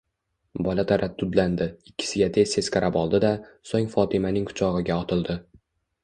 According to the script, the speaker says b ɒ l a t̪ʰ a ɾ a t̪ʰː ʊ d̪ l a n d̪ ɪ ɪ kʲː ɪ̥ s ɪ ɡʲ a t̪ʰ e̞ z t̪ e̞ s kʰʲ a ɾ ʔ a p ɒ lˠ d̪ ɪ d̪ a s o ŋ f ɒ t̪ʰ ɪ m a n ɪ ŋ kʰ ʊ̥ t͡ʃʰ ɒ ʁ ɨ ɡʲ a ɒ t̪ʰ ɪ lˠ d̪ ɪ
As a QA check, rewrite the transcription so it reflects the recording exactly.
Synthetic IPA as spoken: b ɒ l a t̪ʰ a ɾ a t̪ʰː ʊ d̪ l a n d̪ ɪ ɪ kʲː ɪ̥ s ɪ ɡʲ a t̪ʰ e̞ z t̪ e̞ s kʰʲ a ɾ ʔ a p ɒ lˠ d̪ ɪ d̪ a s o ŋ f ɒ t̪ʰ ɪ m a n ɪ ŋ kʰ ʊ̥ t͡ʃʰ ɒ ʁ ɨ ɡʲ a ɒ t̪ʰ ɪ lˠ d̪ ɪ